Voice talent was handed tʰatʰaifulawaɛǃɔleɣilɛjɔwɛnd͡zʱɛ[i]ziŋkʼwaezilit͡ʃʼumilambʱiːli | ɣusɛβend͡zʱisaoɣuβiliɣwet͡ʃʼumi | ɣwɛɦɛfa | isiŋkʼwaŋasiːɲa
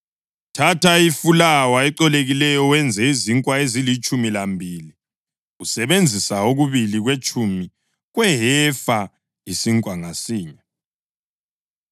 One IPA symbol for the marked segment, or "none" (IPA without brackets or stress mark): i